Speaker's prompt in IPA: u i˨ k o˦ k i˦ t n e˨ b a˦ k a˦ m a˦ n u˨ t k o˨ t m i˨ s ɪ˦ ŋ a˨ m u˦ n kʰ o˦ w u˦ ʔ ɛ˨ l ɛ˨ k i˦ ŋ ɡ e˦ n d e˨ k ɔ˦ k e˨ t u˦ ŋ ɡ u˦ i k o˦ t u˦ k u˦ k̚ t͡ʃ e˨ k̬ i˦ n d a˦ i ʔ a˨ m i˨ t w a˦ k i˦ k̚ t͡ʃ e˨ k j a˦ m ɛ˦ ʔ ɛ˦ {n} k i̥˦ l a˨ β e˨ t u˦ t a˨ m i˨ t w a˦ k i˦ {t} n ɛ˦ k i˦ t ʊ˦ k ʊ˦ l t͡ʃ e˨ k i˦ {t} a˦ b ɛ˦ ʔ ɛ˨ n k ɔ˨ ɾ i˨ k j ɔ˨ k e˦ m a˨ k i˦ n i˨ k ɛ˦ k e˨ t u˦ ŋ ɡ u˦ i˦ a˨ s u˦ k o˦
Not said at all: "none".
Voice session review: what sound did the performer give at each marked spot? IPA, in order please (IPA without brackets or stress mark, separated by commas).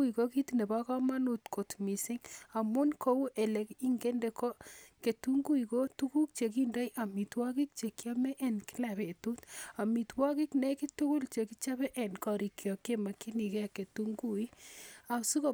n, k, t͡ʃ